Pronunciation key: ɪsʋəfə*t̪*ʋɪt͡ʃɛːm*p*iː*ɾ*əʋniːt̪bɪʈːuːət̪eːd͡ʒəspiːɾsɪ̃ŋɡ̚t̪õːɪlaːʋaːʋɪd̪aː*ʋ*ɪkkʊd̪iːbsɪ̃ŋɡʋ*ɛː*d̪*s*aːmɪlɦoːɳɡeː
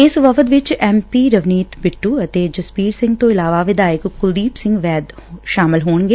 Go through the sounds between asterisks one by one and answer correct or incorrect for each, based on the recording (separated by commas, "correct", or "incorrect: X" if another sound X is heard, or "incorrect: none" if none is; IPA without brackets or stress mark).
correct, correct, correct, incorrect: none, correct, incorrect: ʃ